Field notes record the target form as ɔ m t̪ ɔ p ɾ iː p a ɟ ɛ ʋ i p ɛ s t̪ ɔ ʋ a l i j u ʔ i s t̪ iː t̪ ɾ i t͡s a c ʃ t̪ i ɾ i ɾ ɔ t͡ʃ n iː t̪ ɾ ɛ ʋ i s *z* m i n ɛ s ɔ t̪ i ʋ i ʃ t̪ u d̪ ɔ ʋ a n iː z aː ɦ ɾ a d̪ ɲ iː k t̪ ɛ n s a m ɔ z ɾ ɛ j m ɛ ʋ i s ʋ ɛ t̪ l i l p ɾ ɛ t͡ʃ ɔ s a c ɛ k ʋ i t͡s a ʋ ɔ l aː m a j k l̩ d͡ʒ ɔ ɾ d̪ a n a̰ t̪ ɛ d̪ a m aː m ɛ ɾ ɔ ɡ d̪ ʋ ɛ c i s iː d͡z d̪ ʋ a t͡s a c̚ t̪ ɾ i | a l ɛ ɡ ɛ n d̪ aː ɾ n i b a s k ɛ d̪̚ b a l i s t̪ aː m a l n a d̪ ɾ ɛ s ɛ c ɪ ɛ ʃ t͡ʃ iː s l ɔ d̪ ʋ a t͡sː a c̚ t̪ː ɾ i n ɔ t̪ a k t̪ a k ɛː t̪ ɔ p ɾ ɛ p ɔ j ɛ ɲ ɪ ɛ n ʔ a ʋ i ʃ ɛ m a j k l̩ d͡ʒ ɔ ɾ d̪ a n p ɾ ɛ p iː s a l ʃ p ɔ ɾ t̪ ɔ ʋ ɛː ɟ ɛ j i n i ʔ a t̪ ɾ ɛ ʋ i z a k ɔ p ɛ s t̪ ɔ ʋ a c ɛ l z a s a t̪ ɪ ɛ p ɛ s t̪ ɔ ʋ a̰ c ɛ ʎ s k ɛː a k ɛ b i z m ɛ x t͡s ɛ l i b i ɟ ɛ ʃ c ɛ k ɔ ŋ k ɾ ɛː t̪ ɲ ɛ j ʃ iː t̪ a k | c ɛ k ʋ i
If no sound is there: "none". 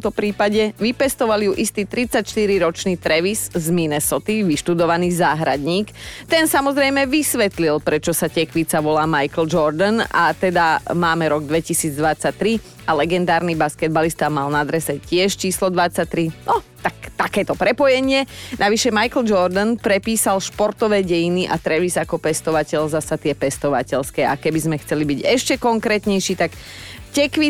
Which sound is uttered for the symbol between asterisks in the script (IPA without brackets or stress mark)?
z